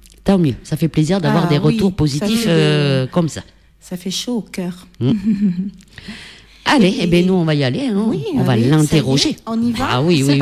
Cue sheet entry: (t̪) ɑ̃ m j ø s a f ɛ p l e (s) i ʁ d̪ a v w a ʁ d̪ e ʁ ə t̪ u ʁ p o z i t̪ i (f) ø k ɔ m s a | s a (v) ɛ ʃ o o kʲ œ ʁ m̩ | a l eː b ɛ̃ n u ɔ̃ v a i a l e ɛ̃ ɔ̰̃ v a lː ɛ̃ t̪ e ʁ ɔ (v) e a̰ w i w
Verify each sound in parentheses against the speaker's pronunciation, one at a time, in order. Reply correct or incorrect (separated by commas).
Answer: correct, incorrect, correct, incorrect, incorrect